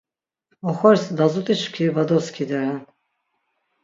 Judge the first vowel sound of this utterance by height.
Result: mid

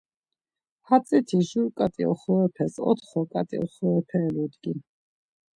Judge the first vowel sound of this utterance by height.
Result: low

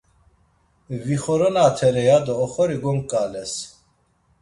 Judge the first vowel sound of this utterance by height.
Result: high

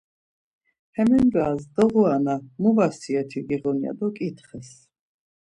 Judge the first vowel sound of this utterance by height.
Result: mid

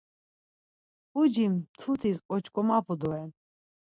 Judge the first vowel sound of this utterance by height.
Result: high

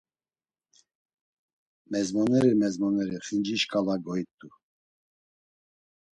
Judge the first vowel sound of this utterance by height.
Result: mid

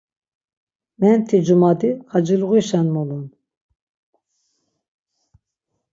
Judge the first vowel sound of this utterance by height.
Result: mid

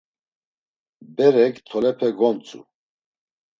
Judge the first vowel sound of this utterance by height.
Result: mid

